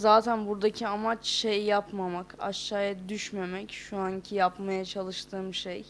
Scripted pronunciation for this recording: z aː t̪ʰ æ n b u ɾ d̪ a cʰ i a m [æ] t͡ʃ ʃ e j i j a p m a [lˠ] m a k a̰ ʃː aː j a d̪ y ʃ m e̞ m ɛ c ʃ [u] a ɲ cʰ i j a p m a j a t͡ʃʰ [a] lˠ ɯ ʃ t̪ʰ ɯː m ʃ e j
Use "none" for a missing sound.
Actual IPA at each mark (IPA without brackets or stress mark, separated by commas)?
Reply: a, none, u, a